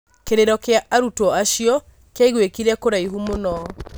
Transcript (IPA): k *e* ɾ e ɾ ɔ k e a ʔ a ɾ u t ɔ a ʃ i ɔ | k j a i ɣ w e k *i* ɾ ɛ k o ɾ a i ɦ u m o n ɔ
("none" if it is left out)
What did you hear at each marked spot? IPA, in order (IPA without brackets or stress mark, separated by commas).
e, i